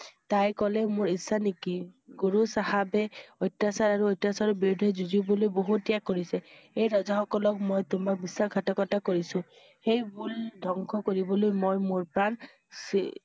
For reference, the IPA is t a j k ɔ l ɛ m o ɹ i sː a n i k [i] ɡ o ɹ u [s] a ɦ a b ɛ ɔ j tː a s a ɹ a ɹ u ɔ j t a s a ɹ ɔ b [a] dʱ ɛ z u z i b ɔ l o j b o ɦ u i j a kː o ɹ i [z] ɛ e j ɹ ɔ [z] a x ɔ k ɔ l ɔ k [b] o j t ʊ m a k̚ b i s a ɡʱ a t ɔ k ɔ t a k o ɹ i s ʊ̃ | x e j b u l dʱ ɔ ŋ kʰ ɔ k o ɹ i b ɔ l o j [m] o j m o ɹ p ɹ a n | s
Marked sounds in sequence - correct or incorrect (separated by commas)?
correct, correct, incorrect, incorrect, correct, incorrect, correct